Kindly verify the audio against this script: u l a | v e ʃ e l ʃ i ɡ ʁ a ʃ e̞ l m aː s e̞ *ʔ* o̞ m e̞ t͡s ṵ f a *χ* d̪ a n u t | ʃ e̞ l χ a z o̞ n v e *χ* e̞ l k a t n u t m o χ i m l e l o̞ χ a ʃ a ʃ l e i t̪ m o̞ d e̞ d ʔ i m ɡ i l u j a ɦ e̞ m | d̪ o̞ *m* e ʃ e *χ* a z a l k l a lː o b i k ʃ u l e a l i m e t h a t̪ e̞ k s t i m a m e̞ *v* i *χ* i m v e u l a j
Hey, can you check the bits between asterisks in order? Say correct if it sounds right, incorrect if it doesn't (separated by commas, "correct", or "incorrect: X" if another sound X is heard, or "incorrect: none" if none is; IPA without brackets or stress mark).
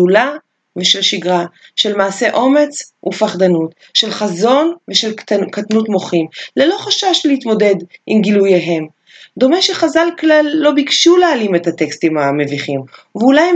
correct, correct, incorrect: ʃ, correct, correct, correct, correct